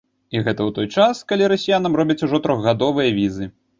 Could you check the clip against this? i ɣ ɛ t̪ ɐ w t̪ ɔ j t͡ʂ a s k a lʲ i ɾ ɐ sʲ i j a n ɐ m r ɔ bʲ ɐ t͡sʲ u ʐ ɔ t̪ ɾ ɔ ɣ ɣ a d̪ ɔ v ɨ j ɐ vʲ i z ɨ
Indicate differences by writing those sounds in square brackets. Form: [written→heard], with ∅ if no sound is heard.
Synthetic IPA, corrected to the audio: i ɣ ɛ t̪ ɐ w t̪ ɔ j t͡ʂ a s k a lʲ i ɾ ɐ sʲ i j a n ɐ m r ɔ bʲ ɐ t͡sʲ u ʐ ɔ t̪ ɾ ɔ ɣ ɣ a d̪ ɔ v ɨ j ɐ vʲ i z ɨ